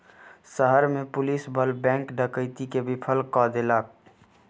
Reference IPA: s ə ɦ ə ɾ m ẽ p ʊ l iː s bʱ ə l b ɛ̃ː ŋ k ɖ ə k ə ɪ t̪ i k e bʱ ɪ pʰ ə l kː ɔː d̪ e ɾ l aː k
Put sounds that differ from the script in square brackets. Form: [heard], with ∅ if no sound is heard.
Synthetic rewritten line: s ə ɦ ə ɾ m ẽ p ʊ l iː s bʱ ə l b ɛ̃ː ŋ k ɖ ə k ə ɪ t̪ i k e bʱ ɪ pʰ ə l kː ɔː d̪ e [∅] l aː k